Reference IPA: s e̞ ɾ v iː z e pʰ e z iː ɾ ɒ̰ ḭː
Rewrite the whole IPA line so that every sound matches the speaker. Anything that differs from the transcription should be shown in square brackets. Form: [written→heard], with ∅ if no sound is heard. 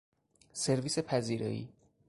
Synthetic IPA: s e̞ ɾ v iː [z→s] e pʰ [e→æ] z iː ɾ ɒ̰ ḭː